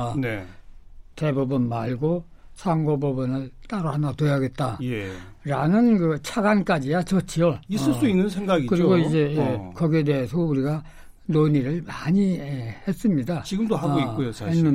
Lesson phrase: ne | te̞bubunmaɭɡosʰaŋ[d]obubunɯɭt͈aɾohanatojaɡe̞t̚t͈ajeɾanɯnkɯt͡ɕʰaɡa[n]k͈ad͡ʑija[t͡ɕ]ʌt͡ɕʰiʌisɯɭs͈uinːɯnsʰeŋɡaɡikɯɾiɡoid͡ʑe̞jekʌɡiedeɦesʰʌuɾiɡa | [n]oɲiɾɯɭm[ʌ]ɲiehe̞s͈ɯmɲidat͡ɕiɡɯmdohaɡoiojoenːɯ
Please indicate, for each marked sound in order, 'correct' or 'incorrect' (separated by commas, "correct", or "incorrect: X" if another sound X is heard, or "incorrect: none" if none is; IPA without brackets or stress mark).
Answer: incorrect: ɡ, correct, correct, correct, incorrect: a